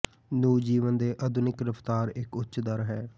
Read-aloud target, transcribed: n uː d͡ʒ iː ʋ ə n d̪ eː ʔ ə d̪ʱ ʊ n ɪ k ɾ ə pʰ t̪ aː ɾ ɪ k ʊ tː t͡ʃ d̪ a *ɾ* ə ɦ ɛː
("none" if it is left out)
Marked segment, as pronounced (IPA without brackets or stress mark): ɾ